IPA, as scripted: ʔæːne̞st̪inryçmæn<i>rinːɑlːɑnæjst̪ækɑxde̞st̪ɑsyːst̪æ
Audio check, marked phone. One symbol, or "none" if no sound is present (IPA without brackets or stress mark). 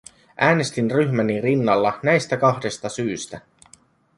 i